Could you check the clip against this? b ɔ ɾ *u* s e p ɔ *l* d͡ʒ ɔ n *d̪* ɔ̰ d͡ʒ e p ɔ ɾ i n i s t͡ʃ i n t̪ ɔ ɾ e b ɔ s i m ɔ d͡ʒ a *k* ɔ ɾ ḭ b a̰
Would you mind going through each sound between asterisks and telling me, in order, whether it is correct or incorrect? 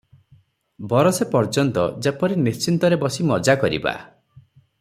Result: incorrect: ɔ, incorrect: ɾ, incorrect: t̪, correct

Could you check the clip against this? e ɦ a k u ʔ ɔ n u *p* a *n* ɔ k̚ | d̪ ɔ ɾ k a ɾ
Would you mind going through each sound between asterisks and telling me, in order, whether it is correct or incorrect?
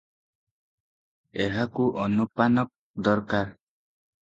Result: correct, correct

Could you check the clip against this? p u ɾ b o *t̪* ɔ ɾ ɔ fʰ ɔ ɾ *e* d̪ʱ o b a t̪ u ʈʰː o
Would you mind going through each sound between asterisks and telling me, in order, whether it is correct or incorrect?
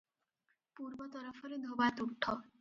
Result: correct, correct

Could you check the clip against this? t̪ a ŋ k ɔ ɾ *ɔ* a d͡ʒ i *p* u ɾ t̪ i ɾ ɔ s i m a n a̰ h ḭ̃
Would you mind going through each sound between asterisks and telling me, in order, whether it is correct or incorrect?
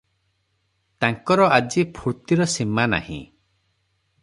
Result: correct, incorrect: pʰ

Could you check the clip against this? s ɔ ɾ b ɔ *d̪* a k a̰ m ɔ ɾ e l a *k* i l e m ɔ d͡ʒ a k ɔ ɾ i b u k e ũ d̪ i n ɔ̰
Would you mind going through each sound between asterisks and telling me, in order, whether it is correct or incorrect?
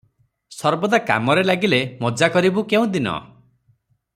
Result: correct, incorrect: ɡ

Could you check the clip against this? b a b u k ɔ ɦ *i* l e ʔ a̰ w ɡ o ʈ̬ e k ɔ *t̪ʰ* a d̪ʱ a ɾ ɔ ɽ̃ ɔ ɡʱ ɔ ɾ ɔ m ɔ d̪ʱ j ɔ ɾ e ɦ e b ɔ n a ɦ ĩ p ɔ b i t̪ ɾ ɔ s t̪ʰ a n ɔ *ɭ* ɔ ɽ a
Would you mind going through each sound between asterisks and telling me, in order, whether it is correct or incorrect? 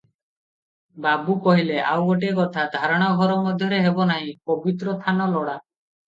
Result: correct, correct, incorrect: l

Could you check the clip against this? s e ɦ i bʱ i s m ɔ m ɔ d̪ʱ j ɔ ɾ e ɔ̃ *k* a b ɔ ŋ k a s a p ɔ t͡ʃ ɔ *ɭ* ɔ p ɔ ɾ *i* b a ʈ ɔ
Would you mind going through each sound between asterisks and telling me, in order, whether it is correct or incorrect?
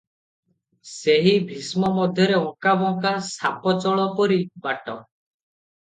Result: correct, correct, correct

